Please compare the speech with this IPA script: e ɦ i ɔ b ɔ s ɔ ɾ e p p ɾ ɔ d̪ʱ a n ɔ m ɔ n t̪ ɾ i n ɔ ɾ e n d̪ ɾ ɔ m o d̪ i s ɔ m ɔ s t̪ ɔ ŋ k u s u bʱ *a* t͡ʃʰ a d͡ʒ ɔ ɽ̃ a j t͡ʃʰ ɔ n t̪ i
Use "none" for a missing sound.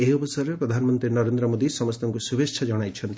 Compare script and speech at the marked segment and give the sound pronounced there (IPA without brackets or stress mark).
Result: e